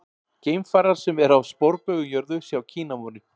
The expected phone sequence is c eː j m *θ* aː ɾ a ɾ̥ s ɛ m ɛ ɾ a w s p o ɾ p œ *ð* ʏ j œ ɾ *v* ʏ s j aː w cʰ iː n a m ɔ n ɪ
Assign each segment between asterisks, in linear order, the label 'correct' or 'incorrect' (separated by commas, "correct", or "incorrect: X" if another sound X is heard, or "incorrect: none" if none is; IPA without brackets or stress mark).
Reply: incorrect: f, incorrect: ɣ, incorrect: ð